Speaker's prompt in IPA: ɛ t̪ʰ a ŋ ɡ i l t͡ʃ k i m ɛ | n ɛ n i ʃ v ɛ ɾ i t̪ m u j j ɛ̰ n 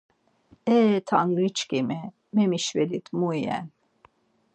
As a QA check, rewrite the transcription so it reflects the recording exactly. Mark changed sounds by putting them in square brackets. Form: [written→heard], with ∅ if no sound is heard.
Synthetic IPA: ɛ t̪ʰ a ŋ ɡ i [l→∅] t͡ʃ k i m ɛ | [n→m] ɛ [n→m] i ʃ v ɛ [ɾ→l] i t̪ m u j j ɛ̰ n